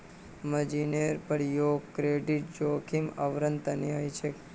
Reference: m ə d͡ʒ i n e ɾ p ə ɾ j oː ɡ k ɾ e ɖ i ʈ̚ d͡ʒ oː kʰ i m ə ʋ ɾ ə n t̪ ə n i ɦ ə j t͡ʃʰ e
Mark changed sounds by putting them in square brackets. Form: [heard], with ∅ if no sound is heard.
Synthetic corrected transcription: m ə d͡ʒ i n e ɾ p ə ɾ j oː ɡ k ɾ e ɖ i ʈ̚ d͡ʒ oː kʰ i m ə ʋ ɾ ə n t̪ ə n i ɦ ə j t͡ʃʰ e